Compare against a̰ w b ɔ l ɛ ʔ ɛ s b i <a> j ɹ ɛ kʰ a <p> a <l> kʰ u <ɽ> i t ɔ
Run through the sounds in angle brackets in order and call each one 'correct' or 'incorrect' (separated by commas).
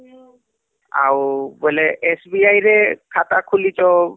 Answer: correct, incorrect, incorrect, incorrect